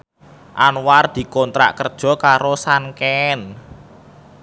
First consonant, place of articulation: glottal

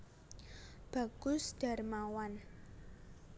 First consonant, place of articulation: labial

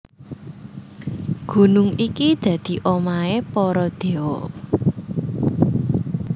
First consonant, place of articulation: velar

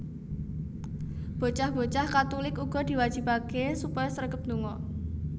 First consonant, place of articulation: labial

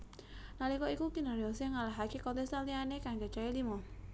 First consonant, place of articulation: alveolar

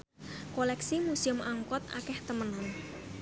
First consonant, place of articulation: velar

